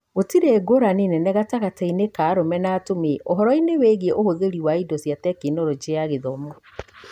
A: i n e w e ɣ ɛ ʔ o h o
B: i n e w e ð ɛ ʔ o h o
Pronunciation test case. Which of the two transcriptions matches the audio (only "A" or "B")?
A